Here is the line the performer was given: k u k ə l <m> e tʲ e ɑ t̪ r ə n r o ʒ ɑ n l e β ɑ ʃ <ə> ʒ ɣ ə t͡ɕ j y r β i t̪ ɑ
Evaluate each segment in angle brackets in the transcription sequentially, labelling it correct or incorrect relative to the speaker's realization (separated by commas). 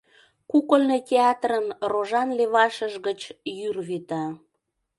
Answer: incorrect, correct